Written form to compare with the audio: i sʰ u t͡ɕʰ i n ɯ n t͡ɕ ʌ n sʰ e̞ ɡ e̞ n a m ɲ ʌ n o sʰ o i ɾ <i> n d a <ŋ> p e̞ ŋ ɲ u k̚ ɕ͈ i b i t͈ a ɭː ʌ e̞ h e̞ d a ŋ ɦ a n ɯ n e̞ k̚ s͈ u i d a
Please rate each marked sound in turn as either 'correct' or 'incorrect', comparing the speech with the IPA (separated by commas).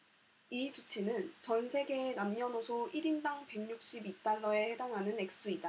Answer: correct, correct